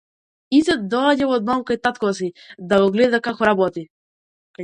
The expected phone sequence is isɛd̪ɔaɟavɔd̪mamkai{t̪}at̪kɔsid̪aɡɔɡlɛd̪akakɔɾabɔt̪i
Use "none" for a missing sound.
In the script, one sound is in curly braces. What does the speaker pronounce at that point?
t̪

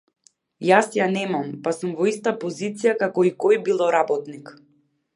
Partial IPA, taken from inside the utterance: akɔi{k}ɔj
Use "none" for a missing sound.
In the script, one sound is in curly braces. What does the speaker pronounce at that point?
k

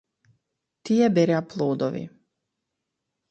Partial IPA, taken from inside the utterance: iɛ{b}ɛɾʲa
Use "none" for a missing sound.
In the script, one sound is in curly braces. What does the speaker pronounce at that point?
b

